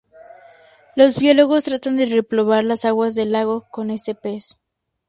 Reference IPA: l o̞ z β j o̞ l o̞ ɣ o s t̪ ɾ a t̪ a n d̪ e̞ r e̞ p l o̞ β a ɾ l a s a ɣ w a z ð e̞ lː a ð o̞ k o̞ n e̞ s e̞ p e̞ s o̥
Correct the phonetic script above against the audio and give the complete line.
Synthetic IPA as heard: l o̞ z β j o̞ l o̞ ɣ o s t̪ ɾ a t̪ a n d̪ e̞ r e̞ p l o̞ β a ɾ l a s a ɣ w a z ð e̞ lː a ɣ o̞ k o̞ n e̞ s e̞ p e̞ s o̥